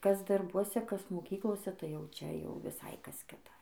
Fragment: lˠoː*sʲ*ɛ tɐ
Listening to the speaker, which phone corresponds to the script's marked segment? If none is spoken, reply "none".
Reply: sʲ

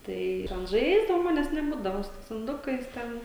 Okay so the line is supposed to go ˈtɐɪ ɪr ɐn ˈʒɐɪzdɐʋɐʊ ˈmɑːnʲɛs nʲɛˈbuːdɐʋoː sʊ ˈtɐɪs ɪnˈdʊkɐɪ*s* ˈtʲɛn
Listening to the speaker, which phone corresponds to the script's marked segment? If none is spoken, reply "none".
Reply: s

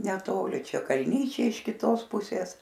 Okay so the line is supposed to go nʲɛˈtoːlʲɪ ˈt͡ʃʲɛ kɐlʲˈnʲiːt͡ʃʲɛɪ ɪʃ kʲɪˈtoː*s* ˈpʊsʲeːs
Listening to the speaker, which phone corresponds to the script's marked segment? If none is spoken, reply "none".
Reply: s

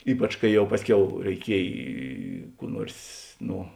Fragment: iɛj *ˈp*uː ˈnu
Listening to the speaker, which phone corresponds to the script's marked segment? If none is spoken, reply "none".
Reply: k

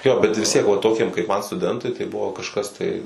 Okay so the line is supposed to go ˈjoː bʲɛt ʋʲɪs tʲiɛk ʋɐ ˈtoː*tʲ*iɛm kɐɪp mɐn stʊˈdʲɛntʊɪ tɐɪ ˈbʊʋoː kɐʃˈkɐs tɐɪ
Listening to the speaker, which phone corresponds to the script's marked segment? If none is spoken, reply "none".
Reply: kʲ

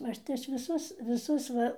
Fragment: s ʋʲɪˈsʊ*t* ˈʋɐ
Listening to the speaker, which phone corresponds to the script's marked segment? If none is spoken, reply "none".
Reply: s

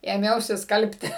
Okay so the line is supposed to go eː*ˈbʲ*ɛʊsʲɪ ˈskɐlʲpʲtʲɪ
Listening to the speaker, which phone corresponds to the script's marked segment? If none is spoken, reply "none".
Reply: mʲ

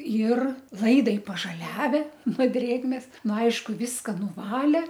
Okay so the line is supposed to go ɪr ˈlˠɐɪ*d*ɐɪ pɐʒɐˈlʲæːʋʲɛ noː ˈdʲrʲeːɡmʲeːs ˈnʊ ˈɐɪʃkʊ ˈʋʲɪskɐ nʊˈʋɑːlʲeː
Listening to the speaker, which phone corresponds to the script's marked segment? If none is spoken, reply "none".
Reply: d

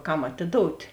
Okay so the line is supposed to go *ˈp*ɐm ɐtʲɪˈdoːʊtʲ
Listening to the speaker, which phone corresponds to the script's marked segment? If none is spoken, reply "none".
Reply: k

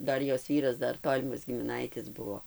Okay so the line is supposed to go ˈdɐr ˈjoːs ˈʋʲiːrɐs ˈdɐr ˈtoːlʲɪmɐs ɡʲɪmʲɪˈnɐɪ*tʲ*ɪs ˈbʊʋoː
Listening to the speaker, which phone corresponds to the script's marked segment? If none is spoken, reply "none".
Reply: tʲ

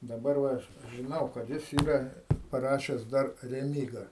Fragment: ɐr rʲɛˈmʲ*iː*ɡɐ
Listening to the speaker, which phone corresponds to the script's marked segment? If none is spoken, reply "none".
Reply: iː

